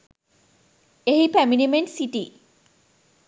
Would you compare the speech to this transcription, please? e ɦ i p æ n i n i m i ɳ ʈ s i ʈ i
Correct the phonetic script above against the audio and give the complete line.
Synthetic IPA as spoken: e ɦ i p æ m i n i m e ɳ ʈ s i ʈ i